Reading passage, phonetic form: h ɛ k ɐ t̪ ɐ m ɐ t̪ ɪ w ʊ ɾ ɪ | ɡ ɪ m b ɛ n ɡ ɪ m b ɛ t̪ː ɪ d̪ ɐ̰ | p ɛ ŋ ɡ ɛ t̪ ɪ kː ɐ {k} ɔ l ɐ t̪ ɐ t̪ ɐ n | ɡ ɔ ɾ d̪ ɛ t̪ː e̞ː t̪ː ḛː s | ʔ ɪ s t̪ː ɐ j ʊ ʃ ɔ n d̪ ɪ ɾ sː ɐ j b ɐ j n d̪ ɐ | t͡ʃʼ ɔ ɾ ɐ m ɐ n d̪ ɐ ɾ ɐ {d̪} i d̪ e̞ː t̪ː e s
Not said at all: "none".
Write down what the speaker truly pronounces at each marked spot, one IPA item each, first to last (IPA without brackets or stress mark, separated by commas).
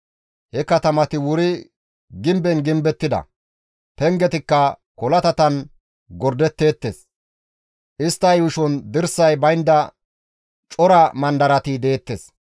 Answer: k, t̪